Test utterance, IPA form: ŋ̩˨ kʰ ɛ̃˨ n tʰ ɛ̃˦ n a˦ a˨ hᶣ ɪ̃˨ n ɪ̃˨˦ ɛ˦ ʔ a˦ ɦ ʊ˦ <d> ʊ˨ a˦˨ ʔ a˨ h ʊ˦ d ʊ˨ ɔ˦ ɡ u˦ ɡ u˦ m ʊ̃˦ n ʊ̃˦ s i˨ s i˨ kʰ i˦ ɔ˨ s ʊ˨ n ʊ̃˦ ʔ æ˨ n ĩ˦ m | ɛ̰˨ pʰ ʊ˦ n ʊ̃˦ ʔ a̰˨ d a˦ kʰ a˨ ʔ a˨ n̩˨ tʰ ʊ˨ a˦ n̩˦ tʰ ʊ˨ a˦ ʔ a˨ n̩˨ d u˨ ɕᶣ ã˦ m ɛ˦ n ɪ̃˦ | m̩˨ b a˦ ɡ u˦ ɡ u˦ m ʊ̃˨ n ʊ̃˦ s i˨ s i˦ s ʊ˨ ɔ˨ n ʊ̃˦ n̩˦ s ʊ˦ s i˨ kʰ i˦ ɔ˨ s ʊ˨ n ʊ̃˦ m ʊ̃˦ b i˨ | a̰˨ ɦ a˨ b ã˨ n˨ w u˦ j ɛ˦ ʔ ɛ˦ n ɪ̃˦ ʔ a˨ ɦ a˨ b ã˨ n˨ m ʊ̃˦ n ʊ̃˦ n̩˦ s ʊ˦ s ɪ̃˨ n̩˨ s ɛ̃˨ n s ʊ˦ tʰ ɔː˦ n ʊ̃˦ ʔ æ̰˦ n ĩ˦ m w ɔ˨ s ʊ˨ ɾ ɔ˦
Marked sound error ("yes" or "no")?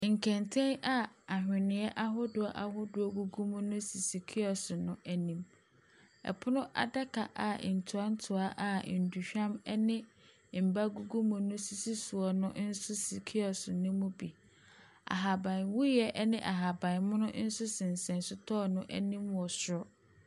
no